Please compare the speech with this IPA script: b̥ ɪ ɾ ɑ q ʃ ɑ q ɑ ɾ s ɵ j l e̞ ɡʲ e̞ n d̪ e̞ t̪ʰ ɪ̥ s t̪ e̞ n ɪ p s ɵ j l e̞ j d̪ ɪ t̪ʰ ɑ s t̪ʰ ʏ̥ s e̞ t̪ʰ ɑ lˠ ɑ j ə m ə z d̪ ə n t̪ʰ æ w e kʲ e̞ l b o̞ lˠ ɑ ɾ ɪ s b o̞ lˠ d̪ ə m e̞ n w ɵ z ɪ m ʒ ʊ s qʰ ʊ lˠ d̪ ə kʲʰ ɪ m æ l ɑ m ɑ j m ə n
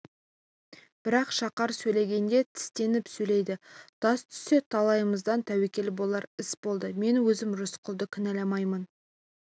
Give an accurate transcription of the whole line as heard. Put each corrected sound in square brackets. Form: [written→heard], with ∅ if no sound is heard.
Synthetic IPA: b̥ ɪ ɾ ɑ q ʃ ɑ q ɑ ɾ s ɵ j l e̞ ɡʲ e̞ n d̪ e̞ t̪ʰ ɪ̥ s t̪ e̞ n ɪ p s ɵ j l e̞ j d̪ ɪ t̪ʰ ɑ s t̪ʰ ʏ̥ s e̞ t̪ʰ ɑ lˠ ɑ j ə m ə z d̪ [ə→ɑ] n t̪ʰ æ w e kʲ e̞ l b o̞ lˠ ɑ ɾ ɪ s b o̞ lˠ d̪ ə m e̞ n w ɵ z ɪ m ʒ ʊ s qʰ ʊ lˠ d̪ ə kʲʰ ɪ [m→n] æ l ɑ m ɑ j m ə n